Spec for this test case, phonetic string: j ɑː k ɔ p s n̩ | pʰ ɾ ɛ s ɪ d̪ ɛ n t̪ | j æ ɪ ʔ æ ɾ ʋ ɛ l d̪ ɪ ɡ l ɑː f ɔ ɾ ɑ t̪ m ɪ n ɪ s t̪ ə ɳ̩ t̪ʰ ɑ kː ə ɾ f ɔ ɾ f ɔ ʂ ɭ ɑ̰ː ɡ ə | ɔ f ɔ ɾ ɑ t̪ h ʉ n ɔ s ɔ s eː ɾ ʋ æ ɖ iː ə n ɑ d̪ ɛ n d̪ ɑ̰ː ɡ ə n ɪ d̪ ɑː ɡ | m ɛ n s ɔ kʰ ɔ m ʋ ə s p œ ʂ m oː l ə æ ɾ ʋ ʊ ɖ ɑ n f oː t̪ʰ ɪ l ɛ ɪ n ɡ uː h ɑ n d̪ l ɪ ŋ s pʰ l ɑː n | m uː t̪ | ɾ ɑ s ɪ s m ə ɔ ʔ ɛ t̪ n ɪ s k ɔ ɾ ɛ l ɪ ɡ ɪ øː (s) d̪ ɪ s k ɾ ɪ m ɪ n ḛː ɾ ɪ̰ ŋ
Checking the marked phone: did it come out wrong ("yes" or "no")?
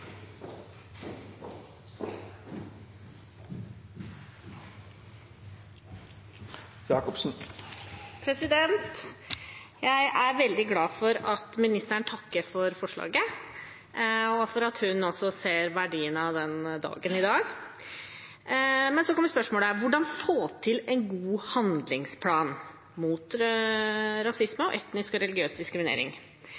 no